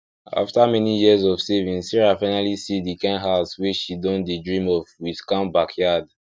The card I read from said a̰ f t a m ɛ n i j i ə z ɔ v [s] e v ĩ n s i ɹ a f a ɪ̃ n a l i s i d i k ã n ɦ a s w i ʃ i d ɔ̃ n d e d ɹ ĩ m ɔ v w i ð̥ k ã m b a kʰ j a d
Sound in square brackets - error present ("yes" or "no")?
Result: no